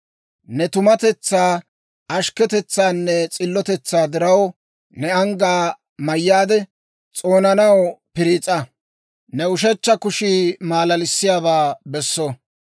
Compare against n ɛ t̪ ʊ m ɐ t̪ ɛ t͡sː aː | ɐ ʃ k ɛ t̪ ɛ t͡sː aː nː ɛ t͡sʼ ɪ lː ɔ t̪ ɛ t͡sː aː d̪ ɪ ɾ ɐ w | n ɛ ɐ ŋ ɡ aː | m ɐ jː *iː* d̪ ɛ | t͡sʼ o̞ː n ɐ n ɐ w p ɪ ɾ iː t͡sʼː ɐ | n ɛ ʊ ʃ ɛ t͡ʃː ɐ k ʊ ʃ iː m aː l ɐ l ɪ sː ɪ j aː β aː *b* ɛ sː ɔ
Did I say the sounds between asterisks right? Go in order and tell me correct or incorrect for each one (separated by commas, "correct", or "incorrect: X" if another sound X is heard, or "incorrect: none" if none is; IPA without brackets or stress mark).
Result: incorrect: aː, correct